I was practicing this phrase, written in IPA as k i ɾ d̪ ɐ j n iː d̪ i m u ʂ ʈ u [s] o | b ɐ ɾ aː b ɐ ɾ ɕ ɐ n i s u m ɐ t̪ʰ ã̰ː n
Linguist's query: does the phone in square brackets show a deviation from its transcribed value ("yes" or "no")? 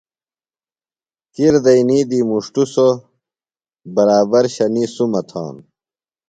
no